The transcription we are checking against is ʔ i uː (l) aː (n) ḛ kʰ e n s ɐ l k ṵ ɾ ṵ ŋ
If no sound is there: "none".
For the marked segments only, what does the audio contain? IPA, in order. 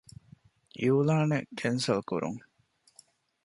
l, n

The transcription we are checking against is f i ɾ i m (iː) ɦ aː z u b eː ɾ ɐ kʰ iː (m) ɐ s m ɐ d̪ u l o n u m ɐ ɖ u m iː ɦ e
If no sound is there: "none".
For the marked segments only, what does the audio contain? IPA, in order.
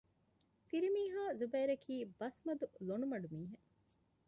iː, b

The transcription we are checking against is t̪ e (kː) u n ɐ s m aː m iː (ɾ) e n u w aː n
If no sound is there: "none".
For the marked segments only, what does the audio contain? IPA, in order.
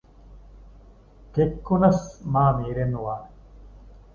kː, ɾ

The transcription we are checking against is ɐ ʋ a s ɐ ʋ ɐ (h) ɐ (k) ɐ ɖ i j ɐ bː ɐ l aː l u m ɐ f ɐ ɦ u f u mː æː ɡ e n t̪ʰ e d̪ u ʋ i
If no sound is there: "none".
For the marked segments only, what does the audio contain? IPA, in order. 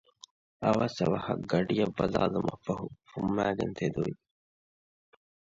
h, ɡ

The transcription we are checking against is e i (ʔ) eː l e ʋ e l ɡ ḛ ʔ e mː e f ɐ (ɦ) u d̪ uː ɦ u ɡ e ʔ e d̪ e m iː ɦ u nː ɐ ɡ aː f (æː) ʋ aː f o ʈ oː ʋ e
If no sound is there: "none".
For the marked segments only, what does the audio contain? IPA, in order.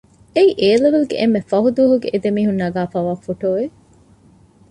ʔ, ɦ, aː

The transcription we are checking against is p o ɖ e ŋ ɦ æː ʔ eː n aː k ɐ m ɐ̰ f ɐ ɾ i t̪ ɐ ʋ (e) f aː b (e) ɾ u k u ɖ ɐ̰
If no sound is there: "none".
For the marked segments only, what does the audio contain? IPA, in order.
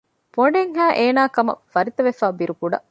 e, i

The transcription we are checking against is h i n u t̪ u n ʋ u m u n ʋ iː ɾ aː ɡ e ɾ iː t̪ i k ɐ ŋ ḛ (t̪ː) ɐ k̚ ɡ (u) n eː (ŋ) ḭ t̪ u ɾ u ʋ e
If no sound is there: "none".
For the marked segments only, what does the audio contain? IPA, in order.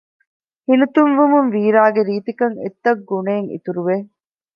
t̪ː, u, ŋ

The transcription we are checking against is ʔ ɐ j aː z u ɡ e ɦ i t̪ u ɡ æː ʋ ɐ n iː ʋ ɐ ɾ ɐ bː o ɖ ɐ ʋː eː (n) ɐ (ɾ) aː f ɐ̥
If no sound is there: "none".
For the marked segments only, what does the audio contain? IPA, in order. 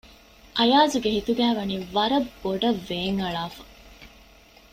ŋ, ɭ

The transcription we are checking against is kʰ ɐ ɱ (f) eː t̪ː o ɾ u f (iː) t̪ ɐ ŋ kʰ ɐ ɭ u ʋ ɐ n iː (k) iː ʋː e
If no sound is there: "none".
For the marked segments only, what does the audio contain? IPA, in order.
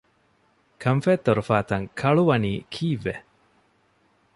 f, aː, kʰ

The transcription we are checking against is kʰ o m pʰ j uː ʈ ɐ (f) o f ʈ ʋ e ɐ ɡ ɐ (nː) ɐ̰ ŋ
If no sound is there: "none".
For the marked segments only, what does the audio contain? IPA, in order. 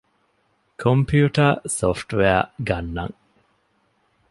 s, nː

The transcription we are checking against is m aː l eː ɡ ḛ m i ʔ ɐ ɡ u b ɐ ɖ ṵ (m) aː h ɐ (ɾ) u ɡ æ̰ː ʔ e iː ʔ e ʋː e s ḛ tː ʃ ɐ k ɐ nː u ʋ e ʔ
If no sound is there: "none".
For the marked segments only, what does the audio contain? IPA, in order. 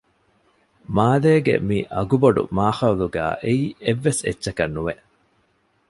m, l

